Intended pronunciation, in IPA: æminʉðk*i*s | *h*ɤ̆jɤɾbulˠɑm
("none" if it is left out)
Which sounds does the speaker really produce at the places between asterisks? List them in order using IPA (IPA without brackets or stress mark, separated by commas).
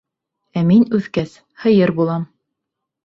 æ, h